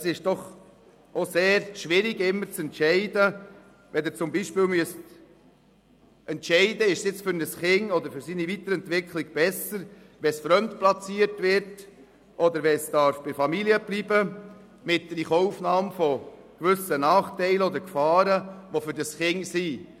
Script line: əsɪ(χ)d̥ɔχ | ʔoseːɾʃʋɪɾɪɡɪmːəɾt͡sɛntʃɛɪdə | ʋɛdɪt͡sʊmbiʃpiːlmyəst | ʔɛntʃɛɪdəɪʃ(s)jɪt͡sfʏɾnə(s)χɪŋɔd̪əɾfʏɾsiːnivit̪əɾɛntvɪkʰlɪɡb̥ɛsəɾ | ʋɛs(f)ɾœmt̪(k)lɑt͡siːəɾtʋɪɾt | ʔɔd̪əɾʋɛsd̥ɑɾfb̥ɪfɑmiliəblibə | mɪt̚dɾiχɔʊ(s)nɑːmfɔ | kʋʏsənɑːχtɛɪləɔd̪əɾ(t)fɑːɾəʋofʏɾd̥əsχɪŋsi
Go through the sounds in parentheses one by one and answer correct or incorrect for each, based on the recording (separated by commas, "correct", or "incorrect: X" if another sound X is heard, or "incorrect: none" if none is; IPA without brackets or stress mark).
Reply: incorrect: ʃ, correct, correct, correct, incorrect: p, incorrect: f, incorrect: k